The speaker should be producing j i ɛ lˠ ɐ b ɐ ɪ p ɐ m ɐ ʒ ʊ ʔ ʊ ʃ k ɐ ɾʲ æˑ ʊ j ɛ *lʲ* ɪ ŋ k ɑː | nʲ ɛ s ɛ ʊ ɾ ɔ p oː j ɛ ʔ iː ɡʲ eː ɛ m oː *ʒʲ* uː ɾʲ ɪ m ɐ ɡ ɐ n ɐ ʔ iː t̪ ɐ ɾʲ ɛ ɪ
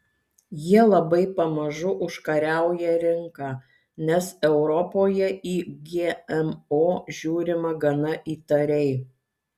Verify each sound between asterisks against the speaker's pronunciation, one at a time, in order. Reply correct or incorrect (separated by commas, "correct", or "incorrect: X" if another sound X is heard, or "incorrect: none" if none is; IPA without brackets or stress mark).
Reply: incorrect: ɾʲ, correct